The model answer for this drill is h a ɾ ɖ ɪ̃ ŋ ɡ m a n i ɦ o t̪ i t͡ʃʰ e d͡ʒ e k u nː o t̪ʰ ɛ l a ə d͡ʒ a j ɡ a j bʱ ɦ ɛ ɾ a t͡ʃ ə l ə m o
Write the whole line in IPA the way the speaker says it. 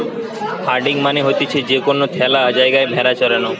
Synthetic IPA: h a ɾ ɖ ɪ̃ ŋ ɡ m a n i ɦ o t̪ i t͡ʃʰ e d͡ʒ e k o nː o t̪ʰ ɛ l a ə d͡ʒ a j ɡ a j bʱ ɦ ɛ ɾ a t͡ʃ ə ɾ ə n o